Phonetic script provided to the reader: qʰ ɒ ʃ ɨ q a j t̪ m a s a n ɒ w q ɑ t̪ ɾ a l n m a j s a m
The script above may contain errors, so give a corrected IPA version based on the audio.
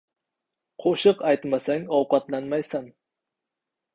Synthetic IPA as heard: qʰ o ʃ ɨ q a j t̪ m a s a ŋ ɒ w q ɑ t̪ l a n m a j s a n